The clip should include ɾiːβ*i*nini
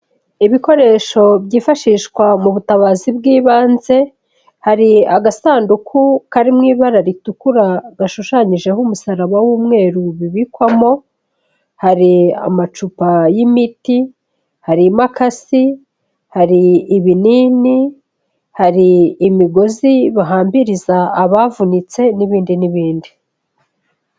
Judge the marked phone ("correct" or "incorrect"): correct